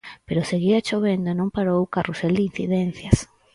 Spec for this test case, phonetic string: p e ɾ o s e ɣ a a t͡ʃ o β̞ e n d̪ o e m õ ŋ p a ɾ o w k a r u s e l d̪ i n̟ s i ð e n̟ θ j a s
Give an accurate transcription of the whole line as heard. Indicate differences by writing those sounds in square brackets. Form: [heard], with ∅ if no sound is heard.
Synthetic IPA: p e ɾ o s e ɣ [i] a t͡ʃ o β̞ e n d̪ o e [n] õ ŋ p a ɾ o w k a r u s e l d̪ i n̟ [θ] i ð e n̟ θ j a s

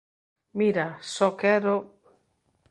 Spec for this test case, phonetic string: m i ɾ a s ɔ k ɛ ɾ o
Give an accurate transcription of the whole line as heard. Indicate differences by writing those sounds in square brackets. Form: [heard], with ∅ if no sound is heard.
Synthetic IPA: m i ɾ a s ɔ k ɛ ɾ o

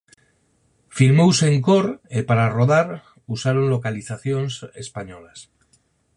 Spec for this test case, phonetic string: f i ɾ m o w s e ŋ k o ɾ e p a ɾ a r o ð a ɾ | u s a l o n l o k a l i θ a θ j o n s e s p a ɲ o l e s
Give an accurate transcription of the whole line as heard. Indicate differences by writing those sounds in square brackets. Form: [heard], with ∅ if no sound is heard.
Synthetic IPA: f i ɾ m o w s e ŋ k o ɾ e p a ɾ a r o ð a ɾ | u s a [ɾ] o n l o k a l i θ a θ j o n s e s p a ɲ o l [a] s

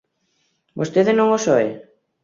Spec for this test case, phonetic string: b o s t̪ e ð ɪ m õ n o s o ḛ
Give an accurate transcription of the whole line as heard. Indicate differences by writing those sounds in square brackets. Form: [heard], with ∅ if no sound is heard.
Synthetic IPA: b o s t̪ e ð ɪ [n] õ [ŋ] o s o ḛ

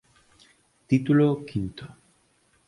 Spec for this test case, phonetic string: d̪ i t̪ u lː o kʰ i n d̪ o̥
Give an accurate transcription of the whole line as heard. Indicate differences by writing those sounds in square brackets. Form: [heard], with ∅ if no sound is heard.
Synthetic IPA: [t̪] i t̪ u [l] o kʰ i n [t̪] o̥

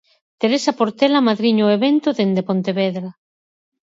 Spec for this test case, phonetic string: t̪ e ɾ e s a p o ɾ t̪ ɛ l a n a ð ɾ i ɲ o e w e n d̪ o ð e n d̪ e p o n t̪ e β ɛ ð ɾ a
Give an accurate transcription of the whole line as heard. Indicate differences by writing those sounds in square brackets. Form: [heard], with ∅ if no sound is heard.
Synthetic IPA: t̪ e ɾ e s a p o ɾ t̪ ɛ l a [m] a ð ɾ i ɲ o e [β] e n [t̪] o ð e n d̪ e p o n t̪ e β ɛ ð ɾ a

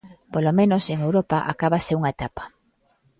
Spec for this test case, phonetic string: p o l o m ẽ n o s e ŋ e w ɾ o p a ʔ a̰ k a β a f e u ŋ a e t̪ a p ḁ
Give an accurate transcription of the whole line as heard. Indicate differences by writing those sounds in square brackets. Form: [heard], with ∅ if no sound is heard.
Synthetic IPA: p o l o m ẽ n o s e ŋ e w ɾ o p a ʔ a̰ k a β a [s] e u ŋ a e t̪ a p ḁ

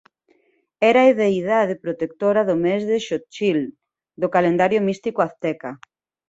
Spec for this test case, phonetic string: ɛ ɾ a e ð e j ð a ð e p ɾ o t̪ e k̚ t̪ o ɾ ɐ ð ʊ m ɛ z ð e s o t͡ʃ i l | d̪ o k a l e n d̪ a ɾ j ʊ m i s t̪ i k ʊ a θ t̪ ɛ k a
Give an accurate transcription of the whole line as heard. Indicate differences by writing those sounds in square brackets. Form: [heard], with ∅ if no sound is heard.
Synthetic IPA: ɛ ɾ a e ð e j ð a ð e p ɾ o t̪ e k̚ t̪ o ɾ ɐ ð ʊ m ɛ z ð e [ʃ] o t͡ʃ i l | d̪ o k a l e n d̪ a ɾ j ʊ m i s t̪ i k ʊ a θ t̪ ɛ k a

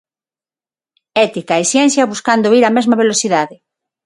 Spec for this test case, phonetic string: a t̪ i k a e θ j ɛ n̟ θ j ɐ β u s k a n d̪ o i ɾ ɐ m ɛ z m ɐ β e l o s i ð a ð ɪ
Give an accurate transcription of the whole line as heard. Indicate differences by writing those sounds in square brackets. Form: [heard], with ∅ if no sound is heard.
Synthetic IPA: [ɛ] t̪ i k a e [s] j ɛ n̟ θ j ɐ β u s k a n d̪ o i ɾ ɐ m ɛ z m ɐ β e l o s i ð a ð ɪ

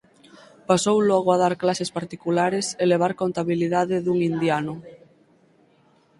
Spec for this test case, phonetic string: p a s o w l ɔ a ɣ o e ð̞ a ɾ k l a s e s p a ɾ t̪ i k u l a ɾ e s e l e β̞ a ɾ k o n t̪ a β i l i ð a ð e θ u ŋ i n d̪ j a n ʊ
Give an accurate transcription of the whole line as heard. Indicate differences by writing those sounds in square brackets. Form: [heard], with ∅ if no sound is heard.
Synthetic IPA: p a s o w l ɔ a ɣ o [a] ð̞ a ɾ k l a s e s p a ɾ t̪ i k u l a ɾ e s e l e β̞ a ɾ k o n t̪ a β i l i ð a ð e [ð] u ŋ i n d̪ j a n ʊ

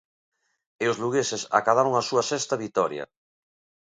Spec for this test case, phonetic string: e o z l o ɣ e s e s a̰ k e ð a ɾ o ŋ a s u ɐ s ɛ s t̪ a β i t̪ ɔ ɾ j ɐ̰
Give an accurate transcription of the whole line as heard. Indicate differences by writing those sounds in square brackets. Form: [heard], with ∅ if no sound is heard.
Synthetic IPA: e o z l [u] ɣ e s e s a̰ k [a] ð a ɾ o ŋ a s u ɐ s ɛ s t̪ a β i t̪ ɔ ɾ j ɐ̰

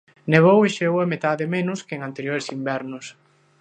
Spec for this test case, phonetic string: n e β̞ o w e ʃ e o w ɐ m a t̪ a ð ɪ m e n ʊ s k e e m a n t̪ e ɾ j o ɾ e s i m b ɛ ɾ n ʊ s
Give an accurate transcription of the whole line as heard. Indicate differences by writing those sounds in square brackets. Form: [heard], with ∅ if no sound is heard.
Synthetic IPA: n e β̞ o w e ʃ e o w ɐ m [e] t̪ a ð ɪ m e n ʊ s k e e [ŋ] a n t̪ e ɾ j o ɾ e s i m b ɛ ɾ n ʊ s

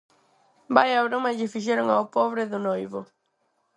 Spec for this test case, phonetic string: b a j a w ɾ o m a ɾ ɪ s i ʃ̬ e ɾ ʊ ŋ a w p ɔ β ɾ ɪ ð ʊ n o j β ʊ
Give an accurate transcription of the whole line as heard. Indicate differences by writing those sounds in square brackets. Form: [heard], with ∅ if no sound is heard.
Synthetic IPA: b a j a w ɾ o m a [ʎ] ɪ [f] i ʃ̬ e ɾ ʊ ŋ a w p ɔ β ɾ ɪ ð ʊ n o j β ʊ

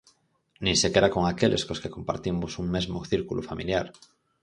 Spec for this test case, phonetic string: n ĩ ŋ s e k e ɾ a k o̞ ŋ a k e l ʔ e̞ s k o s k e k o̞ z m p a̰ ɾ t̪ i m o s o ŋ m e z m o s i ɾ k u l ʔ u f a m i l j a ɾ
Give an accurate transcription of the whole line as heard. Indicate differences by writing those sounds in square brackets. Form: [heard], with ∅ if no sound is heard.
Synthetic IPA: n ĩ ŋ s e k e ɾ a k o̞ ŋ a k e l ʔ e̞ s k o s k e k o̞ [∅] m p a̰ ɾ t̪ i m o s [u] ŋ m e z m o [θ] i ɾ k u l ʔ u f a m i l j a ɾ

